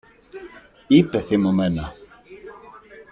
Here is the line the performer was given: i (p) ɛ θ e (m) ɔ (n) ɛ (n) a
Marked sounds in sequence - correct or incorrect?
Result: correct, correct, incorrect: m, correct

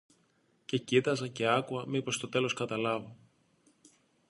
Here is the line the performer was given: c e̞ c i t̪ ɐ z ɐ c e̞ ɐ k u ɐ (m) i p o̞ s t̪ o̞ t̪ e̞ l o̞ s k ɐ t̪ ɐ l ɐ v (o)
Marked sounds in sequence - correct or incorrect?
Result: correct, correct

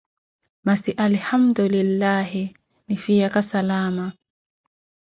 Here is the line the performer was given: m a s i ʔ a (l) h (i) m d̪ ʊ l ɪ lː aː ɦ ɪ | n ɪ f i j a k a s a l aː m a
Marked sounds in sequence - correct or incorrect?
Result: correct, incorrect: a

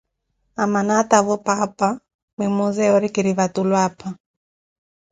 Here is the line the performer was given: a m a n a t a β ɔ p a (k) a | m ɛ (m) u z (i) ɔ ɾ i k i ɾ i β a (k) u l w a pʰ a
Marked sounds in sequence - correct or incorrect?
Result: incorrect: p, correct, incorrect: ɛ, incorrect: t

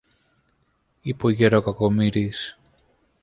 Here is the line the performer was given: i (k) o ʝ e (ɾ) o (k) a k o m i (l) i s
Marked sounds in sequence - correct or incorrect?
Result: incorrect: p, correct, correct, incorrect: ɾ

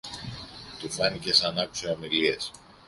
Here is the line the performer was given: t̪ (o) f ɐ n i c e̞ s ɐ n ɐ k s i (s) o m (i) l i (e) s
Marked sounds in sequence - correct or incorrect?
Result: incorrect: u, incorrect: none, correct, correct

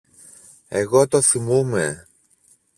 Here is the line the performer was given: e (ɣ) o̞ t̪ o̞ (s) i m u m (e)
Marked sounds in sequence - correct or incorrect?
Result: correct, incorrect: θ, correct

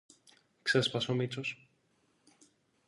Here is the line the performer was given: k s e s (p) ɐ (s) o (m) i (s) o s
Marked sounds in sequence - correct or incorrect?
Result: correct, correct, correct, incorrect: t͡s

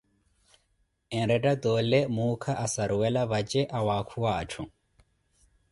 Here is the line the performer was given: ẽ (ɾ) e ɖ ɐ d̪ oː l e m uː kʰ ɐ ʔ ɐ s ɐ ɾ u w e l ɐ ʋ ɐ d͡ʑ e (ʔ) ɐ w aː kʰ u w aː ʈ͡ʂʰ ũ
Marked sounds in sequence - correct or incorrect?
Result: correct, correct

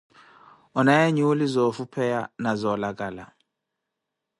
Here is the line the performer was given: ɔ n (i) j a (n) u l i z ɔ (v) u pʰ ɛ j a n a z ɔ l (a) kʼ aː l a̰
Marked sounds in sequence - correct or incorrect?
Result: incorrect: a, incorrect: ɲ, incorrect: f, correct

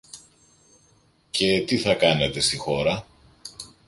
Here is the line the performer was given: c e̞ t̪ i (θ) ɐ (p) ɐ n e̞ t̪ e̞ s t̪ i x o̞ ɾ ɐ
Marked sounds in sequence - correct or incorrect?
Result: correct, incorrect: k

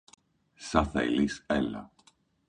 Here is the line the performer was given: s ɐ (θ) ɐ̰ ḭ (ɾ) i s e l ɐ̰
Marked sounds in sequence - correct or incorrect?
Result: correct, incorrect: l

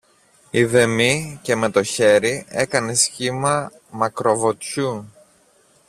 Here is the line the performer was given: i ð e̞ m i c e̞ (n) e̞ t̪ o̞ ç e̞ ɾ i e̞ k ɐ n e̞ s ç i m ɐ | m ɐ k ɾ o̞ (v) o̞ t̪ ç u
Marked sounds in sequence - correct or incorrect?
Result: incorrect: m, correct

